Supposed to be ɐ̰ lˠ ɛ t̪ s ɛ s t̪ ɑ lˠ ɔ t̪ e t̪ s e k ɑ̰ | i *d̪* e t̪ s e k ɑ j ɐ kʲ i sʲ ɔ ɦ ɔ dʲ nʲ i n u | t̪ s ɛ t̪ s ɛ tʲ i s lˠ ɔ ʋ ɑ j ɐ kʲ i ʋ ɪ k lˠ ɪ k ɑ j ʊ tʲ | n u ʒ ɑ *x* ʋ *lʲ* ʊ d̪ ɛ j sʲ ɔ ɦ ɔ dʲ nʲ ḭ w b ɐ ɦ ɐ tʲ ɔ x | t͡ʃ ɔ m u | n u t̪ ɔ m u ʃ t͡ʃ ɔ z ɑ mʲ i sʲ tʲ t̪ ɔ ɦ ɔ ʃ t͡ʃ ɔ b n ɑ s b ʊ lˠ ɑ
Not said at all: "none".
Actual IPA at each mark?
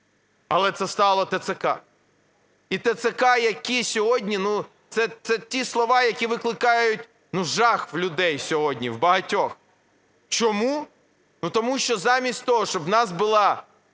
t̪, x, lʲ

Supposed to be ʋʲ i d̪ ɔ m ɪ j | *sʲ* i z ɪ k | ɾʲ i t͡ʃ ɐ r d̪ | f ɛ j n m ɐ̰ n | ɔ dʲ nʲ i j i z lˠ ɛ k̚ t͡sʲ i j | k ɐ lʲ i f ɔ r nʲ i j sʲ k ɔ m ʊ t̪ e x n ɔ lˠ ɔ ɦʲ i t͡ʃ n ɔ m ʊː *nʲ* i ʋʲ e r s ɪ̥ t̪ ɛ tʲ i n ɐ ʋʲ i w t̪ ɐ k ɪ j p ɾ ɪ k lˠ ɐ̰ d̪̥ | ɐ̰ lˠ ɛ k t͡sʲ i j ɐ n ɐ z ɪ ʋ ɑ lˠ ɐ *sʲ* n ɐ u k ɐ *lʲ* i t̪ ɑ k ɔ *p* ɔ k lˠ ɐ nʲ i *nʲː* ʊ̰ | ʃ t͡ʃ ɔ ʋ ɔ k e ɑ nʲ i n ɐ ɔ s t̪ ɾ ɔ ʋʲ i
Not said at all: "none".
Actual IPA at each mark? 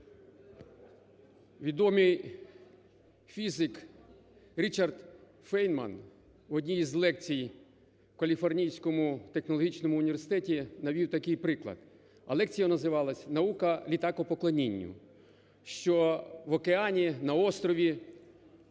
fʲ, nʲ, sʲ, lʲ, p, nʲː

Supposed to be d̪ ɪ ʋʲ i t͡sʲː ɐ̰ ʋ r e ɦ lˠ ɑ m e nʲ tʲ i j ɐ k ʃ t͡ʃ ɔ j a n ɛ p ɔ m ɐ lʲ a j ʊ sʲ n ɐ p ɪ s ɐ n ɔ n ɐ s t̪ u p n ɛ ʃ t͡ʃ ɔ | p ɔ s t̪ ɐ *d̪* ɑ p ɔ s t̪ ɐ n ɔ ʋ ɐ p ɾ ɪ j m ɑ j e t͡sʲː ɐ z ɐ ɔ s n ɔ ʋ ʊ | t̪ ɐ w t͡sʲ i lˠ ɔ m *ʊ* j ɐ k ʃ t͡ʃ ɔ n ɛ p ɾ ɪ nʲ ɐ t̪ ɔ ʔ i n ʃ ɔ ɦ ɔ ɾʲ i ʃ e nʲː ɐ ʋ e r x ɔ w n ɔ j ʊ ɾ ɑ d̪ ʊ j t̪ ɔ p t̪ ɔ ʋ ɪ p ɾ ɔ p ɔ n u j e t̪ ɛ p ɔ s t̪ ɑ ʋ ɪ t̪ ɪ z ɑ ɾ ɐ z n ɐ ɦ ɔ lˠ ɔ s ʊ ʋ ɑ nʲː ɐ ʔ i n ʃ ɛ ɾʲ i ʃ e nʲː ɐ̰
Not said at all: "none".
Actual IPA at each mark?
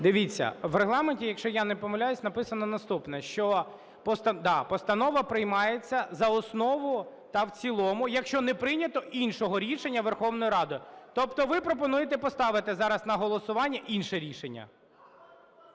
d̪, ʊ

